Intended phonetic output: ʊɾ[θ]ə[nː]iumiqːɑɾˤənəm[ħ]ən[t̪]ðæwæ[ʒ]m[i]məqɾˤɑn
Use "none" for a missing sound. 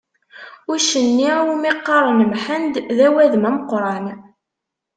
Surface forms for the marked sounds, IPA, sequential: ʃ, nː, ħ, d̪, ð, æ

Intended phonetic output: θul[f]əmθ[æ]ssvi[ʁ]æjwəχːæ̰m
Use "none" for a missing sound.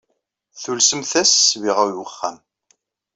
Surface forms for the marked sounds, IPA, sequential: s, æ, ʁ

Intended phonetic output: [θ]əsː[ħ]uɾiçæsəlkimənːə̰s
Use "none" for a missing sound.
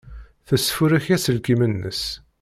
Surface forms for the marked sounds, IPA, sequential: θ, f

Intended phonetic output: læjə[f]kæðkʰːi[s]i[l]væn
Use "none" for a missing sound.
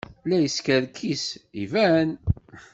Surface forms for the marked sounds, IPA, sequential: s, s, none

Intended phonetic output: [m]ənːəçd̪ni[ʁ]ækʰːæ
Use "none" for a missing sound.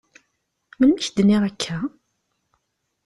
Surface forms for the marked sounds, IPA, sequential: m, ʁ

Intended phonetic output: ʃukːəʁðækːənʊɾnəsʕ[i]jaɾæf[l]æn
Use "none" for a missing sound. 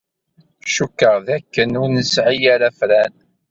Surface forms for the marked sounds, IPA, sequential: i, ɾ

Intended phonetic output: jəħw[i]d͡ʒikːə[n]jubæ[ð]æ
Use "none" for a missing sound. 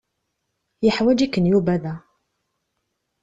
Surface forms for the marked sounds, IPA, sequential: æ, n, ð

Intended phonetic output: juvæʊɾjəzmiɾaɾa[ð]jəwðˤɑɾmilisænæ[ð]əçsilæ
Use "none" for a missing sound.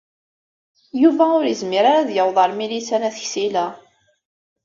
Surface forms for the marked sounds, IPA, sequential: ð, θ

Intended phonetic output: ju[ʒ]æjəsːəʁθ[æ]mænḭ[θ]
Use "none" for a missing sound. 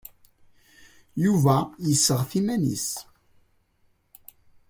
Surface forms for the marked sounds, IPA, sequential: v, i, s

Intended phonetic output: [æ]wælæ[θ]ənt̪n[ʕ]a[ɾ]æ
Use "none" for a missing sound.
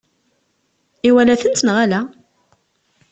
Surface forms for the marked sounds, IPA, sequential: i, θ, ʁ, l

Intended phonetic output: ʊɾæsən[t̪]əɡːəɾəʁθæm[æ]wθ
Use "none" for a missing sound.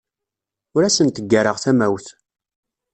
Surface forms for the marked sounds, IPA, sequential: t̪, æ

